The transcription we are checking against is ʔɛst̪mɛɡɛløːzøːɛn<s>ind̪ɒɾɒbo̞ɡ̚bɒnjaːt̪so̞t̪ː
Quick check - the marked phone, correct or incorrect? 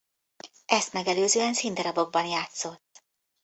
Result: correct